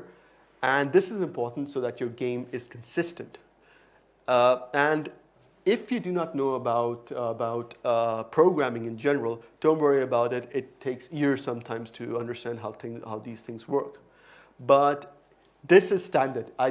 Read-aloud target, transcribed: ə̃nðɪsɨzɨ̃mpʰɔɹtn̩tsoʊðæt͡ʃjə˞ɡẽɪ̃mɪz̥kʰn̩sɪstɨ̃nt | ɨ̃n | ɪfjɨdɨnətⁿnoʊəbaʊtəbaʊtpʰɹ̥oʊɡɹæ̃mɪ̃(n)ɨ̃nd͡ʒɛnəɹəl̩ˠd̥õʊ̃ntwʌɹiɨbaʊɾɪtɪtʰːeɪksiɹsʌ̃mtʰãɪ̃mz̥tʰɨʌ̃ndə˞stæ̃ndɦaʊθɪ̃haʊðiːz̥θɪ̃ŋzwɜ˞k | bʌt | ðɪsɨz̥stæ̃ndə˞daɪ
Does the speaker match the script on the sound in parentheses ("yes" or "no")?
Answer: no